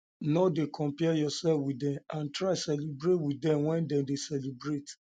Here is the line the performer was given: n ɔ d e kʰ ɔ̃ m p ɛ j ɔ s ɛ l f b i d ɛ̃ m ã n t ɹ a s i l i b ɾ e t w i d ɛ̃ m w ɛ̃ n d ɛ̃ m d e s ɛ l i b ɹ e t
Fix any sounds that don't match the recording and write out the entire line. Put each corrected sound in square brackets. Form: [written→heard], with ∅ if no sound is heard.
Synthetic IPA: n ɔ d e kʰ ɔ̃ m p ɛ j ɔ s ɛ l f [b→w] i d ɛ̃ m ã n t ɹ a s [i→ɛ] l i b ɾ e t w i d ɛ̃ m w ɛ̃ n d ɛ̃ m d e s ɛ l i b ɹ e t